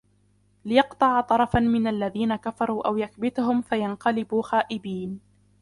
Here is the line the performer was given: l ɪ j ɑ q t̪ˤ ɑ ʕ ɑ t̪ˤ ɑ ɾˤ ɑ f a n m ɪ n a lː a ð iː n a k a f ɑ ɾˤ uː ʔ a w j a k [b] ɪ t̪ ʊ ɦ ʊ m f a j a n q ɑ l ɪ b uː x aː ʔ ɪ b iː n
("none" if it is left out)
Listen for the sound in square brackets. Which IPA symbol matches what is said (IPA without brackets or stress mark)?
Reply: b